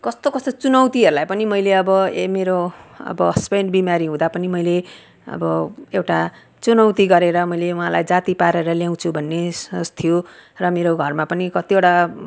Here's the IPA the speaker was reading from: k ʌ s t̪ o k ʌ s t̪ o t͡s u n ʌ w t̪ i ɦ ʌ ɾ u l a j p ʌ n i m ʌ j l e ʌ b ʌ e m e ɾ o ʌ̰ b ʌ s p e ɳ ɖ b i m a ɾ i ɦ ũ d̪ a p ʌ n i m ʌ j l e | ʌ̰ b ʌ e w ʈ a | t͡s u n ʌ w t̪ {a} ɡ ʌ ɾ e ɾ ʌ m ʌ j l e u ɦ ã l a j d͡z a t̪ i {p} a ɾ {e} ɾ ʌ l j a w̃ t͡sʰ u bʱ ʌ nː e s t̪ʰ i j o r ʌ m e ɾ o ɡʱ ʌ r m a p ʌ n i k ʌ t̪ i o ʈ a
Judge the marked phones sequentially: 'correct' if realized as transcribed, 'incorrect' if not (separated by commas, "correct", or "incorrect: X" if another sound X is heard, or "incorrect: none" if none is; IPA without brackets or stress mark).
incorrect: i, correct, correct